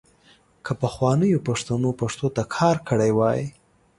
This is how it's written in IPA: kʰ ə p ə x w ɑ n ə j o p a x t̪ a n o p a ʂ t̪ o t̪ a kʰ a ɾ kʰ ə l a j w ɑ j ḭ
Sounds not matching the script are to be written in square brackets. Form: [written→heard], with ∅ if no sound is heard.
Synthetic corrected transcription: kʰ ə p ə x w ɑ n ə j o p a [x→ʂ] t̪ a n o p a ʂ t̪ o t̪ a kʰ [a→ɑ] ɾ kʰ ə [l→ɽ] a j w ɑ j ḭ